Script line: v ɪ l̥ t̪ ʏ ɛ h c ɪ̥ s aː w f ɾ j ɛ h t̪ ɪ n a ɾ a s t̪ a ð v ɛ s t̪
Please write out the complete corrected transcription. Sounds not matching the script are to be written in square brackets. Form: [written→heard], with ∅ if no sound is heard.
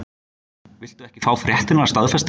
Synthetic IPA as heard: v ɪ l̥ t̪ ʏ ɛ h c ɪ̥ [s→f] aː w f ɾ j ɛ h t̪ ɪ n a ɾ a s t̪ a ð [v→f] ɛ s t̪